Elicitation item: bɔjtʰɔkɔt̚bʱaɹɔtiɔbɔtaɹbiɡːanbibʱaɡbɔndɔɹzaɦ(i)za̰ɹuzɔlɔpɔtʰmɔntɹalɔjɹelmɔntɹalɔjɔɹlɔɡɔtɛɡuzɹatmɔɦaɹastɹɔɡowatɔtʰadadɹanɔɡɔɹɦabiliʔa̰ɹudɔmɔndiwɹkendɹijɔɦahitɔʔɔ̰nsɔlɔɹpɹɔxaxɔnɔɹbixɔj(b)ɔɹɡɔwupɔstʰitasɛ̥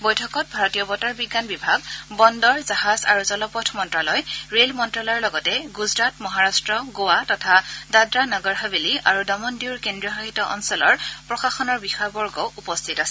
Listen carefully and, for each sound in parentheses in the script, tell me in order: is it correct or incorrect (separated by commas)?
incorrect, correct